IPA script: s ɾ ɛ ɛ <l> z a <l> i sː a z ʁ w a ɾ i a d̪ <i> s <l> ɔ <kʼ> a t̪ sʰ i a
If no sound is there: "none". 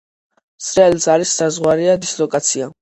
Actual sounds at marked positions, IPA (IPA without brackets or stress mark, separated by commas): l, ɾ, i, l, kʼ